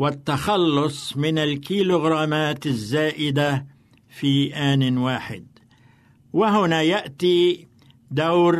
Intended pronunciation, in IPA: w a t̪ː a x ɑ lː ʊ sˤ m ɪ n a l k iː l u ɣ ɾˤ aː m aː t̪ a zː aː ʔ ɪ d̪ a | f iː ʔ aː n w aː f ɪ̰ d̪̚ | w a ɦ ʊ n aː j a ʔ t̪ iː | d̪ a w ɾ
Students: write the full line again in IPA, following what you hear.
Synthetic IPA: w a t̪ː a x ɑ lː ʊ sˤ m ɪ n a l k iː l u ɣ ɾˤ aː m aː t̪ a zː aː ʔ ɪ d̪ a | f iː ʔ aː n w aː ħ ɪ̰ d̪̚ | w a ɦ ʊ n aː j a ʔ t̪ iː | d̪ a w ɾ